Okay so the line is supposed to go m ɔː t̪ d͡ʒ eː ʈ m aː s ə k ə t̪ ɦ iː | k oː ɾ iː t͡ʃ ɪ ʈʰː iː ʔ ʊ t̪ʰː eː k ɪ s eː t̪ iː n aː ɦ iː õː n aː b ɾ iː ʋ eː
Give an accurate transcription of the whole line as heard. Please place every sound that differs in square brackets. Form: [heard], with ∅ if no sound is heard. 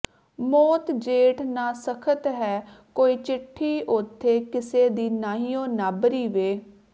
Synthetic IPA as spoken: m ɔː t̪ d͡ʒ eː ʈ [n] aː s ə [kʰ] ə t̪ ɦ [ɛː] | k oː [∅] iː t͡ʃ ɪ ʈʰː iː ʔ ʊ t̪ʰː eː k ɪ s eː [d̪] iː n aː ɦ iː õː n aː b ɾ iː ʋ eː